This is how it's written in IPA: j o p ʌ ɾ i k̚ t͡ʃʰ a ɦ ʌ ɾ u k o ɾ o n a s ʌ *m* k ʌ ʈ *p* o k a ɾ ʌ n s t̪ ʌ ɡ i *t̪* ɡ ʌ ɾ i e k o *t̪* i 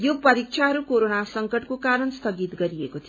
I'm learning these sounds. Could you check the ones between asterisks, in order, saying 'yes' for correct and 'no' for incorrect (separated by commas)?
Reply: no, no, yes, no